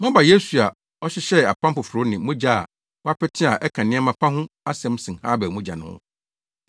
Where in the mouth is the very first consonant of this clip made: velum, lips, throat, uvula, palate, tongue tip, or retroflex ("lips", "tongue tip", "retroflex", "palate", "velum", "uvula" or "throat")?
lips